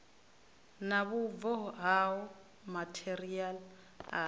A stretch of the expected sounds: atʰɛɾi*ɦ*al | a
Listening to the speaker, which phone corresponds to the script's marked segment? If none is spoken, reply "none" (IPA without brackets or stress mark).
none